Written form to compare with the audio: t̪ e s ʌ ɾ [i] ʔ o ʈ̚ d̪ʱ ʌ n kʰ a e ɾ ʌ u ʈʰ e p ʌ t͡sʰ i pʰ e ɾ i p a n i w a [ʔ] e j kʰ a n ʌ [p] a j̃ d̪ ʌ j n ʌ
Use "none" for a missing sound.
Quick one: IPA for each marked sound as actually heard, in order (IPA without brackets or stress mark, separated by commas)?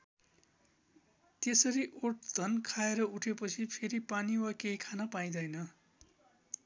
i, k, p